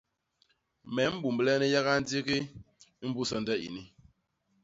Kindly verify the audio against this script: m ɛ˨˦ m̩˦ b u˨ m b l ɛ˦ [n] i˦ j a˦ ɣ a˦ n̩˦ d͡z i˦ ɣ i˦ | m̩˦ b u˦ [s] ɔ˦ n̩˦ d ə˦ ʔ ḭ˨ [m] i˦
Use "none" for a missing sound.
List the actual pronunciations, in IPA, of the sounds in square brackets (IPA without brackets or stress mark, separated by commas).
n, s, n